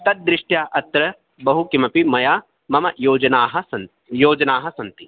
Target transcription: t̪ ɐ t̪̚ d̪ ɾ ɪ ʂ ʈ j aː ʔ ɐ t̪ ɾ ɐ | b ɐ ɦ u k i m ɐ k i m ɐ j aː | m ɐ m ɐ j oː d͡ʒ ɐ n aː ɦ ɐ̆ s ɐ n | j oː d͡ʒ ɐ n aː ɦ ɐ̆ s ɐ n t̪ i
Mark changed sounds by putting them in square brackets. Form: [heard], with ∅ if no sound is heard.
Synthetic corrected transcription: t̪ ɐ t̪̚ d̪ ɾ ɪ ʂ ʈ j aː ʔ ɐ t̪ ɾ ɐ | b ɐ ɦ u k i m ɐ [p] i m ɐ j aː | m ɐ m ɐ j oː d͡ʒ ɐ n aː ɦ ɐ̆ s ɐ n | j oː d͡ʒ ɐ n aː ɦ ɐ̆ s ɐ n t̪ i